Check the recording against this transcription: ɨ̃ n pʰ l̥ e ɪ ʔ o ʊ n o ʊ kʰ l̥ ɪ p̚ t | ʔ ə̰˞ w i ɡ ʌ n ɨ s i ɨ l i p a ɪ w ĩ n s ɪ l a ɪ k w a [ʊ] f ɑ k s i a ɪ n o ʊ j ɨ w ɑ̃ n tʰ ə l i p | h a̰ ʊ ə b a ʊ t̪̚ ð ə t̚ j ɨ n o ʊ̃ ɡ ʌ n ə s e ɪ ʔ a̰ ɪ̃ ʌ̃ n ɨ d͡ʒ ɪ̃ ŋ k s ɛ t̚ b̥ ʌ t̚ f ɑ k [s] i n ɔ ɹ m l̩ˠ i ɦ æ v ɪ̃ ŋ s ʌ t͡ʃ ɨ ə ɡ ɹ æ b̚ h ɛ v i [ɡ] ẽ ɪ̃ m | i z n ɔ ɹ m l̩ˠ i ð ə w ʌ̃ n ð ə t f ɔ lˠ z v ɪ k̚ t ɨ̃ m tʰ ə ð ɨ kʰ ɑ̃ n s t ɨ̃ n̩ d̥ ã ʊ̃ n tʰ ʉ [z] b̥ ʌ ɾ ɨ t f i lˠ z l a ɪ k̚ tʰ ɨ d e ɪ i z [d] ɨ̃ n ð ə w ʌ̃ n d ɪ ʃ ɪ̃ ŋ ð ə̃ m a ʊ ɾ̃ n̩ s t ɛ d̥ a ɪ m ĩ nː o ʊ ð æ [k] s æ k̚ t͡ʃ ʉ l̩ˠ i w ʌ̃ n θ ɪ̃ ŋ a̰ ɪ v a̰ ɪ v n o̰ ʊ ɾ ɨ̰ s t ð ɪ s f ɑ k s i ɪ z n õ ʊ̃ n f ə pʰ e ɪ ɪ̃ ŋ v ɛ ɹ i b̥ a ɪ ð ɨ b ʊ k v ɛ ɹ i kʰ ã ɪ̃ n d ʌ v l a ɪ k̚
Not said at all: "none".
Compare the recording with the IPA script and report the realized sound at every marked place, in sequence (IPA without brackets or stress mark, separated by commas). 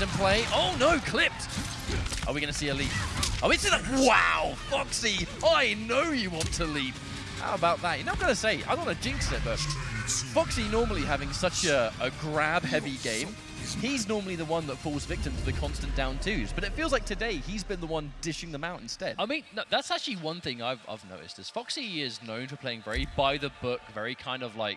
ʊ, s, ɡ, z, b, t